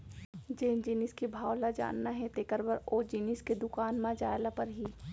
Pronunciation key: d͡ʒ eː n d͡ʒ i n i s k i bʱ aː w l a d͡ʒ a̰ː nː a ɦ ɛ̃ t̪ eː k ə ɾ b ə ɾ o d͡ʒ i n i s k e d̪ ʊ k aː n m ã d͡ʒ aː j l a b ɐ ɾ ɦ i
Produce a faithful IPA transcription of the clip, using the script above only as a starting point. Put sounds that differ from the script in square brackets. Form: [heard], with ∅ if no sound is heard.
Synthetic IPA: d͡ʒ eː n d͡ʒ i n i s k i bʱ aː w l a d͡ʒ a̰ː nː a ɦ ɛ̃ t̪ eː k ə ɾ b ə ɾ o d͡ʒ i n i s k e d̪ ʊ k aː n m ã d͡ʒ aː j l a [p] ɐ ɾ ɦ i